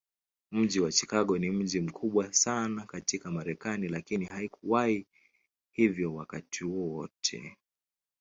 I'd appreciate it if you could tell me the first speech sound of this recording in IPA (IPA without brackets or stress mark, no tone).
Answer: m̩